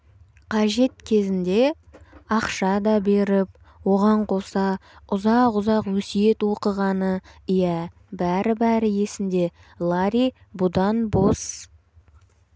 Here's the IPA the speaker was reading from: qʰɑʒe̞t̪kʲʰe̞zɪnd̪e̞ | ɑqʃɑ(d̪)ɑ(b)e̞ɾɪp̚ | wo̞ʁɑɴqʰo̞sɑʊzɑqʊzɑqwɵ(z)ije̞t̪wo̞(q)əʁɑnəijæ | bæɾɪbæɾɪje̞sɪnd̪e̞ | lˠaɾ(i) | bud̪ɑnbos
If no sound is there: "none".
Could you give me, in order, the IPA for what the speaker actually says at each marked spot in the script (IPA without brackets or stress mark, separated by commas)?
d̪, b, s, q, i